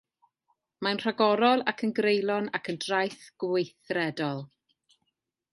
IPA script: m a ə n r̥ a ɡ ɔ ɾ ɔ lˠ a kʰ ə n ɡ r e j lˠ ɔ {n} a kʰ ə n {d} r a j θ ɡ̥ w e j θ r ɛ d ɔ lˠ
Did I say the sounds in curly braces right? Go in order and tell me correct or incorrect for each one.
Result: correct, correct

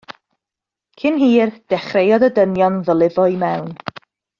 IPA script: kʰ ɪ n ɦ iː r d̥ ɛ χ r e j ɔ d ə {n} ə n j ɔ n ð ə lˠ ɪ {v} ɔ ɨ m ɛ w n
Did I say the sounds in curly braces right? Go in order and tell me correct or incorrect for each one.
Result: incorrect, correct

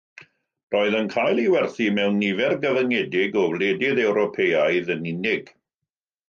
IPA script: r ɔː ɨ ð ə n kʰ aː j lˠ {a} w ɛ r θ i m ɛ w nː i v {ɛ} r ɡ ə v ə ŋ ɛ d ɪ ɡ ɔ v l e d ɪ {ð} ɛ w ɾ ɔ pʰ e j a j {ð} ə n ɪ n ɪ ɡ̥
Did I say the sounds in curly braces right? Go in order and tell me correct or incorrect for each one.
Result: incorrect, correct, correct, correct

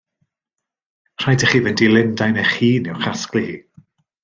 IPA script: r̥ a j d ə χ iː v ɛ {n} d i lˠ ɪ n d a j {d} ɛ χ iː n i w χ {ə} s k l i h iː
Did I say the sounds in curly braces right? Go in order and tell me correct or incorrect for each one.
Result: correct, incorrect, incorrect

